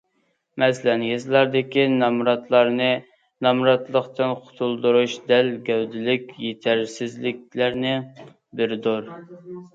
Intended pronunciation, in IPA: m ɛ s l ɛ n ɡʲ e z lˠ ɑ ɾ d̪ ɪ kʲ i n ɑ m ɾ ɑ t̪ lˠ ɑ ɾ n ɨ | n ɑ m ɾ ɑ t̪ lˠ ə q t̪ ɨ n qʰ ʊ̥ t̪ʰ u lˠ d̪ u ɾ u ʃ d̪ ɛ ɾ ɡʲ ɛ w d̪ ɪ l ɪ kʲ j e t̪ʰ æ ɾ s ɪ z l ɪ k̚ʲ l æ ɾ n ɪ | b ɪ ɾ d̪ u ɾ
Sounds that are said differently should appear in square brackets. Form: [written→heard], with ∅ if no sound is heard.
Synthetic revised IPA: m ɛ s l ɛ n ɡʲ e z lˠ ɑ ɾ d̪ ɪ kʲ i n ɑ m ɾ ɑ t̪ lˠ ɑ ɾ n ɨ | n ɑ m ɾ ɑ t̪ lˠ ə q t̪ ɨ n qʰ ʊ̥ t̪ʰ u lˠ d̪ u ɾ u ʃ d̪ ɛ [ɾ→l] ɡʲ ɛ w d̪ ɪ l ɪ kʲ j e t̪ʰ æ ɾ s ɪ z l ɪ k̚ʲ l æ ɾ n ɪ | b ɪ ɾ d̪ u ɾ